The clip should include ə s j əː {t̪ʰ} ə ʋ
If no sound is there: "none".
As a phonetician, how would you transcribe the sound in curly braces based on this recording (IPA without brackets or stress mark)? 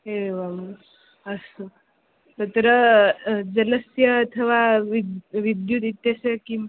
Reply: t̪ʰ